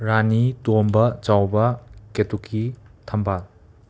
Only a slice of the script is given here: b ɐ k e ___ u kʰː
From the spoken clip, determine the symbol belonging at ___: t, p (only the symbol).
t